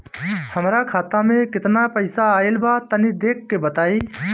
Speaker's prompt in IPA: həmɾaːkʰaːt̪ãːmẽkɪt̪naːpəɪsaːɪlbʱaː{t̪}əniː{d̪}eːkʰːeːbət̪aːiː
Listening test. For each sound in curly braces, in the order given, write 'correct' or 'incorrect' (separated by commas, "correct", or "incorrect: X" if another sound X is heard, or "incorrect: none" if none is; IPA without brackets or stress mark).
correct, correct